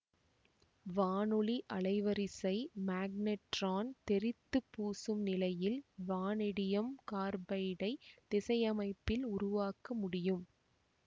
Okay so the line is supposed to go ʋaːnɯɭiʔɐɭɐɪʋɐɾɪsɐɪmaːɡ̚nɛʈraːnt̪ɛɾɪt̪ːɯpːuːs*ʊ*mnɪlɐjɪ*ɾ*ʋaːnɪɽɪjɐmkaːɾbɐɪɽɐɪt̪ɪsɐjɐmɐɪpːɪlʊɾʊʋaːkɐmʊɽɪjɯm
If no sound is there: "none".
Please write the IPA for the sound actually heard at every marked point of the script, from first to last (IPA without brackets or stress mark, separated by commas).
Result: ɯ, l